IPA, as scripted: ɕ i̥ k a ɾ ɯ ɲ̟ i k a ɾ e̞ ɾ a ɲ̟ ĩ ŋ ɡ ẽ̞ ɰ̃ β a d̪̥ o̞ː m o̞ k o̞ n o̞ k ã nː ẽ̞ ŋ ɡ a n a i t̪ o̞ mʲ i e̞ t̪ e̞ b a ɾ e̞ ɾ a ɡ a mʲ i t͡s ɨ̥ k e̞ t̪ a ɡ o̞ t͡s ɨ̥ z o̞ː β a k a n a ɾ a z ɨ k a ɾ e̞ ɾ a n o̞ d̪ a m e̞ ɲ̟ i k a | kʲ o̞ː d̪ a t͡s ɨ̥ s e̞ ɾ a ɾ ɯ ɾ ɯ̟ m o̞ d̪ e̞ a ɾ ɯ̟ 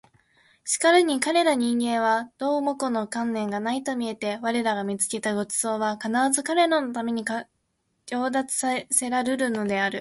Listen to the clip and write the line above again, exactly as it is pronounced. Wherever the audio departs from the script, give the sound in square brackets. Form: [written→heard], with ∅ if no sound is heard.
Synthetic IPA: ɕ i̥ k a ɾ ɯ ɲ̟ i k a ɾ e̞ ɾ a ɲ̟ ĩ ŋ ɡ ẽ̞ ɰ̃ β a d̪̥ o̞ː m o̞ k o̞ n o̞ k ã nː ẽ̞ ŋ ɡ a n a i t̪ o̞ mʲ i e̞ t̪ e̞ [b→β] a ɾ e̞ ɾ a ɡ a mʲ i t͡s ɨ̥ k e̞ t̪ a ɡ o̞ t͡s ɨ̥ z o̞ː β a k a n a ɾ a z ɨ k a ɾ e̞ ɾ a n o̞ [d̪→t̪] a m e̞ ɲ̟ i k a | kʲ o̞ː d̪ a t͡s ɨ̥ s e̞ ɾ a ɾ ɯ ɾ ɯ̟ [m→n] o̞ d̪ e̞ a ɾ ɯ̟